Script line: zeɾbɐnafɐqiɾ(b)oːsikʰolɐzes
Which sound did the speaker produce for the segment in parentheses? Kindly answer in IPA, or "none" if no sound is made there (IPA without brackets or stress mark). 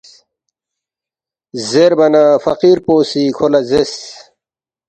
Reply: p